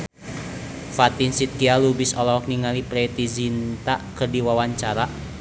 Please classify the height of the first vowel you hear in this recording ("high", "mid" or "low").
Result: low